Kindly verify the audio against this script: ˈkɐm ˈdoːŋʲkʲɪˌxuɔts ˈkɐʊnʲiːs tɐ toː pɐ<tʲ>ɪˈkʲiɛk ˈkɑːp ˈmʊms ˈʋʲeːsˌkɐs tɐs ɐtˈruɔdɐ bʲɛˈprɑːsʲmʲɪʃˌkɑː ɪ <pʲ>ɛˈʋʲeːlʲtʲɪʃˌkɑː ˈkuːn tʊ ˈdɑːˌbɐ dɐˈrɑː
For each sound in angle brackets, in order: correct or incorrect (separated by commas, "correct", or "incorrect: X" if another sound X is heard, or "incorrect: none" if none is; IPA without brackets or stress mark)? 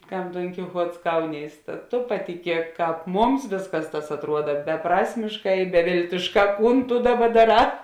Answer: correct, incorrect: bʲ